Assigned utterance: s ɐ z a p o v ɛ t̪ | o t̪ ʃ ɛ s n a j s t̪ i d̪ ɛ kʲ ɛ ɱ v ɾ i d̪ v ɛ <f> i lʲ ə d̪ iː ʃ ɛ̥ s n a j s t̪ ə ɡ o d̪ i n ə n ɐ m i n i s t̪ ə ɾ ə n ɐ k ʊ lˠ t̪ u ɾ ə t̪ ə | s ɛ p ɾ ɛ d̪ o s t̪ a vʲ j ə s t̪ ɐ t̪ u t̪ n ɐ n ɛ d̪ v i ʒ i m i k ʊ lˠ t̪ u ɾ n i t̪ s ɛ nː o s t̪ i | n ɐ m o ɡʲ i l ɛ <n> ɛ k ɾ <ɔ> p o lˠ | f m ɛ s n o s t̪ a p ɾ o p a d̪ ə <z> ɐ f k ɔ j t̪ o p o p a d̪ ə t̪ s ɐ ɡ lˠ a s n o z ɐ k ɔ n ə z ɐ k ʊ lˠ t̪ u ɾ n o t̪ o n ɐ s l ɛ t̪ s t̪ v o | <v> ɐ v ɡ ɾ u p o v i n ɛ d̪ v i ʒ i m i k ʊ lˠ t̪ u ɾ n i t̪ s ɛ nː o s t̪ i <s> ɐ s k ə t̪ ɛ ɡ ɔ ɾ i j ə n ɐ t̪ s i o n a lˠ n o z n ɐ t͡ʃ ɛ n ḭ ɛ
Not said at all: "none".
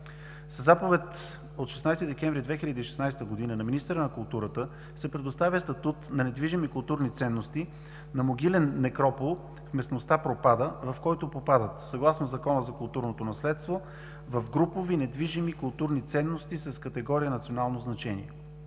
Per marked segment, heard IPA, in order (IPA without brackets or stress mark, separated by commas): x, nː, ɔ, v, v, s